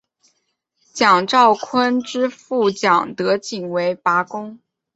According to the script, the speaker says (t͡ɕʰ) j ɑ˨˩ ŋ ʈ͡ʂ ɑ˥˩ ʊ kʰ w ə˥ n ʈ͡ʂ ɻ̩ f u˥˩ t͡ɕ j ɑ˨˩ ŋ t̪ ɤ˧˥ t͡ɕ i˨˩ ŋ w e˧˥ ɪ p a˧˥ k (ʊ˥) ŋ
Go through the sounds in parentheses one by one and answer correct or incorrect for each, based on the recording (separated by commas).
incorrect, correct